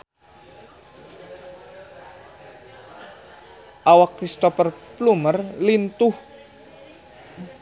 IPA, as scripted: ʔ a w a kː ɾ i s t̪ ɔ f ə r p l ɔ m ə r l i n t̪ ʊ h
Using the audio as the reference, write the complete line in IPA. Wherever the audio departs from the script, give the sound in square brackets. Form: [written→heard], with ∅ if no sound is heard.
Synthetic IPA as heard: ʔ a w a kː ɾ i s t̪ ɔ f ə r p l [ɔ→u] m ə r l i n t̪ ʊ h